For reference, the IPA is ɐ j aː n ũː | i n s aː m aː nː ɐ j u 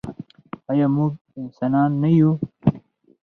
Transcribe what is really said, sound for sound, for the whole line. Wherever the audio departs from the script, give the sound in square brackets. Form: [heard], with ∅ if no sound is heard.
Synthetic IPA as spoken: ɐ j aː [m] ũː | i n s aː [n] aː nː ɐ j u